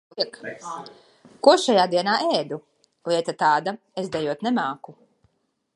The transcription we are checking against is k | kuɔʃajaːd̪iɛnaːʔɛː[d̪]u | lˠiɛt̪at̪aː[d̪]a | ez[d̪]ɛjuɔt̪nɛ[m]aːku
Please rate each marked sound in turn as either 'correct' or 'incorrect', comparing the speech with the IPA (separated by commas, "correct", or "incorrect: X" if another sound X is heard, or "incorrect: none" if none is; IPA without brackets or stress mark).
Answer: correct, correct, correct, correct